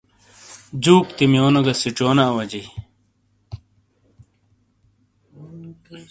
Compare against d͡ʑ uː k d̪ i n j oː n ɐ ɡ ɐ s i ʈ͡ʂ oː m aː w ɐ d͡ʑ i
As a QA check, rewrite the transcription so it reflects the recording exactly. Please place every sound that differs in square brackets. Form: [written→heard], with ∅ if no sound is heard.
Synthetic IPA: d͡ʑ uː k [d̪→t̪] i [n→m] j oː n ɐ ɡ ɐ s i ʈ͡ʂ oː [m→n] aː w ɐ d͡ʑ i